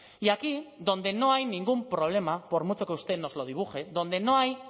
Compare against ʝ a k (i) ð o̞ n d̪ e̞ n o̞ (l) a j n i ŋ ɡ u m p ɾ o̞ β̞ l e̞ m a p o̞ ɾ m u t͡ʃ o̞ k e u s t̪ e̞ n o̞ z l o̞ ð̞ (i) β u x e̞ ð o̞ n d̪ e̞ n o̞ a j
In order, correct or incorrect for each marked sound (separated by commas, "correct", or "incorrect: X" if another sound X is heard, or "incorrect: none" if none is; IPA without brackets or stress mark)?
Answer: correct, incorrect: none, correct